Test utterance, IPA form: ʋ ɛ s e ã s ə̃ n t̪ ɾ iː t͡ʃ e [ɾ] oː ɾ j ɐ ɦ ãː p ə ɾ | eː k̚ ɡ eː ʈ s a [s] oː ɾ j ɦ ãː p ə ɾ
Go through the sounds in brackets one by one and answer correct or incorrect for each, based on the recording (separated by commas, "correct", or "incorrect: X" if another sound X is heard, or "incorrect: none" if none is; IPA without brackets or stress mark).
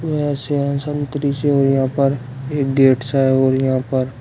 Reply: incorrect: none, incorrect: none